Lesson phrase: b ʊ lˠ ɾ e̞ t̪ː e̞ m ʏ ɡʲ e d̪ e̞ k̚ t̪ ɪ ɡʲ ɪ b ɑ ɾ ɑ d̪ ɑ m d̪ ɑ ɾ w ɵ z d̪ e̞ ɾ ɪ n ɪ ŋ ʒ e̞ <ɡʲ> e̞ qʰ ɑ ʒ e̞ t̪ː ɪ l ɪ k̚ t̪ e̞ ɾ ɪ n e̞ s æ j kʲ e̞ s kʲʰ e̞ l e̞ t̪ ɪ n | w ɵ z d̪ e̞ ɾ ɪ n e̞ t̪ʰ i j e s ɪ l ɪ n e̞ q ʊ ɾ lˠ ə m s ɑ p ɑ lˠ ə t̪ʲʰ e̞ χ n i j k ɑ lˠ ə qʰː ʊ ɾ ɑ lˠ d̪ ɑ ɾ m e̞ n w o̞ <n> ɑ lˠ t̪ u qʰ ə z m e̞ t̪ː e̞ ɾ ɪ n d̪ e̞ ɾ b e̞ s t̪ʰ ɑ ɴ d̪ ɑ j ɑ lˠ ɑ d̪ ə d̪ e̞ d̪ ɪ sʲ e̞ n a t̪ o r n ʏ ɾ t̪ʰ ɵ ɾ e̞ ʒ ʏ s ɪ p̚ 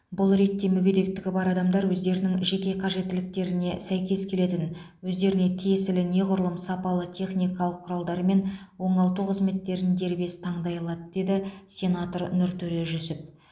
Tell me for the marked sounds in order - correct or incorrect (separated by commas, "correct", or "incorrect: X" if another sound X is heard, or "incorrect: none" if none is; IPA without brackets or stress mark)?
incorrect: kʲ, incorrect: ɴ